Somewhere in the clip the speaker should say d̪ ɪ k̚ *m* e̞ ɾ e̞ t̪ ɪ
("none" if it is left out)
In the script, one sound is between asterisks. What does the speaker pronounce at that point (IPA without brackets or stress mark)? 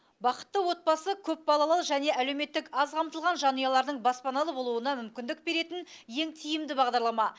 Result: b